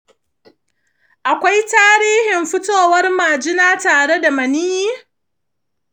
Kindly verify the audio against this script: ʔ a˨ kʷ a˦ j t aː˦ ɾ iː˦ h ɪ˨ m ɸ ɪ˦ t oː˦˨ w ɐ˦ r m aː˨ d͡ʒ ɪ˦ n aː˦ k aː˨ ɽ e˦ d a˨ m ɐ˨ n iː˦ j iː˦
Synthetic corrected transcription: ʔ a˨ kʷ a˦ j t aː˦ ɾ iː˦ h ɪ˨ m ɸ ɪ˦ t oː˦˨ w ɐ˦ r m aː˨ d͡ʒ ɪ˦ n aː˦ t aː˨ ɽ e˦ d a˨ m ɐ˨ n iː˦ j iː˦